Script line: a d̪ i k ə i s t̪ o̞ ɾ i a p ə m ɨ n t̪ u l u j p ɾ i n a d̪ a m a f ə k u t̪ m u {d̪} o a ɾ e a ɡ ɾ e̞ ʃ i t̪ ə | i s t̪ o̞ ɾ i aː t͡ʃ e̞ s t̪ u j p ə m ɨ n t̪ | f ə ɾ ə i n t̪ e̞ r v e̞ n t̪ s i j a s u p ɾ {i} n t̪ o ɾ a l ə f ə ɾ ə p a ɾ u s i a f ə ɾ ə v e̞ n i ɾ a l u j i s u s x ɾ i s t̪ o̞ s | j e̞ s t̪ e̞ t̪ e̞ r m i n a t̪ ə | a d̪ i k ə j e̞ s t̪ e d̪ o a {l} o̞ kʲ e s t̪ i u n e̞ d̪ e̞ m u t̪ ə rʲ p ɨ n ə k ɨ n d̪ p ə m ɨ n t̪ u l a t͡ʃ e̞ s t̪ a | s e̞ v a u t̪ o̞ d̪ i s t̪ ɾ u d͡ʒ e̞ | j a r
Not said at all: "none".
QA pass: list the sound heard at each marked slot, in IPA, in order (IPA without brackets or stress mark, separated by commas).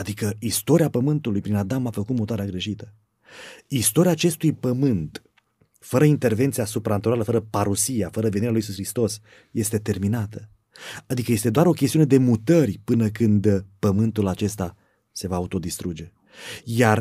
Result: t̪, a, ɾ